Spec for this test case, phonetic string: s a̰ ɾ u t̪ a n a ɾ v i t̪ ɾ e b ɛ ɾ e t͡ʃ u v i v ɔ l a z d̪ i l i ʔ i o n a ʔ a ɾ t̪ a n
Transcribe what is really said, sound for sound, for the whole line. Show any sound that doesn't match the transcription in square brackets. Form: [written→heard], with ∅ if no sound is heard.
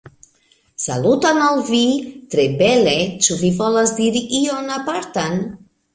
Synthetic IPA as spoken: s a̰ [ɾ→l] u t̪ a n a [ɾ→l] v i t̪ ɾ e b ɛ [ɾ→l] e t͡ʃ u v i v ɔ l a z d̪ i [l→ɾ] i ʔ i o n a [ʔ→p] a ɾ t̪ a n